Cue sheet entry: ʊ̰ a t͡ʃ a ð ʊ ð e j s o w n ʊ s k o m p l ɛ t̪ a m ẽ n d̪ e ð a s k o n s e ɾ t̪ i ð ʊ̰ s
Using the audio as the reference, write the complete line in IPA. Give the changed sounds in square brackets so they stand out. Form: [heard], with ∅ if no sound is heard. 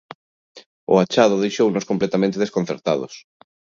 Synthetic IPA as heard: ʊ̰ a t͡ʃ a ð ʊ ð e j [ʃ] o w n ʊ s k o m p l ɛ t̪ a m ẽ n [t̪] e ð [e] s k o n [θ] e ɾ t̪ [a] ð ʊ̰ s